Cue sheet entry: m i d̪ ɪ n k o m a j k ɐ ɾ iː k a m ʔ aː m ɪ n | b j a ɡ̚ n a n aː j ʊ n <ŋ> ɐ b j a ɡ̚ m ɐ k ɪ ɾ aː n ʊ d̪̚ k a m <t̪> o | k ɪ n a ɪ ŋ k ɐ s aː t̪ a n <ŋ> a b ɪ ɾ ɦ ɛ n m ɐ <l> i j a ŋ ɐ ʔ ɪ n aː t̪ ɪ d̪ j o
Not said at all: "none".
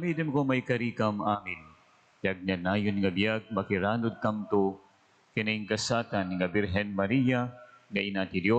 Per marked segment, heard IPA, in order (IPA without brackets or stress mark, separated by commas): ŋ, t̪, ŋ, ɾ